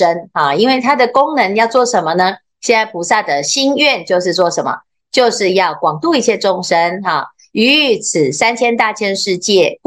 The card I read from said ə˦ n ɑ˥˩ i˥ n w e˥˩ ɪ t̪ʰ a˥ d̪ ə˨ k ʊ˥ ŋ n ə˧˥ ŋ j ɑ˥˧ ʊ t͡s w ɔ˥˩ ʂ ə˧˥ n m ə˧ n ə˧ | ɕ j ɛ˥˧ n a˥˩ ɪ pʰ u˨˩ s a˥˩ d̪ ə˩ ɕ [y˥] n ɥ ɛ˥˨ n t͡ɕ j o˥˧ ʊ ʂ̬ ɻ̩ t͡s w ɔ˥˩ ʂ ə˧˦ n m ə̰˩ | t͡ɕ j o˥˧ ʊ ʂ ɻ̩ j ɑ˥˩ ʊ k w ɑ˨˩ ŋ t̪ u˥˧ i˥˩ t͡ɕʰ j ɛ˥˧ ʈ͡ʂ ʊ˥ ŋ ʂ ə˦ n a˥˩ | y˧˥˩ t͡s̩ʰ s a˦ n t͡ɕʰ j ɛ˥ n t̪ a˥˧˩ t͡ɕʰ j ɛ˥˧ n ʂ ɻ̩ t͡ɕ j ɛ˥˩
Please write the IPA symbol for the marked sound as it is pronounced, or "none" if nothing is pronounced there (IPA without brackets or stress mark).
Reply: i˥